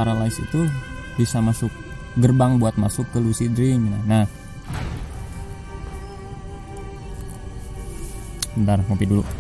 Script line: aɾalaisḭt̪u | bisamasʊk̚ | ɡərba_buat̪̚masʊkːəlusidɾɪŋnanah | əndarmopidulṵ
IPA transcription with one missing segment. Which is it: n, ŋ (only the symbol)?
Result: ŋ